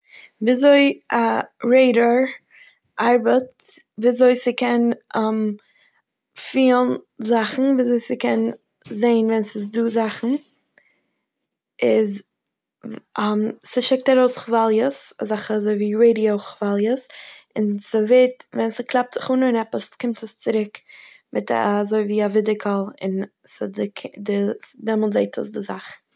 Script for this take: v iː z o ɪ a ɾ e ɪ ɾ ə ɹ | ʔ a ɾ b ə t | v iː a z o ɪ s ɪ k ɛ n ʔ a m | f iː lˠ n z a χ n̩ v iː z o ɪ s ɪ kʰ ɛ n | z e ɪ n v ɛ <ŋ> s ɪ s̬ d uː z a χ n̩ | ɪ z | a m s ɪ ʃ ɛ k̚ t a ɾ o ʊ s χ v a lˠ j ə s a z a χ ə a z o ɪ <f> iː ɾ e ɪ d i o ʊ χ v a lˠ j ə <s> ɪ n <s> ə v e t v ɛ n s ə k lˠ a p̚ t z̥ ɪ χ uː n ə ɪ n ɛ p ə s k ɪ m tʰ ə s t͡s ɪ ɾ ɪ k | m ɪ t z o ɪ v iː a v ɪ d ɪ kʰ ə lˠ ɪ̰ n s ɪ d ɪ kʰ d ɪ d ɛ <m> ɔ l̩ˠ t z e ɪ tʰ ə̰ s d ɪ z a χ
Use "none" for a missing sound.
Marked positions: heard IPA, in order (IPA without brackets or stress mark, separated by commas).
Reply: n, v, s, s, m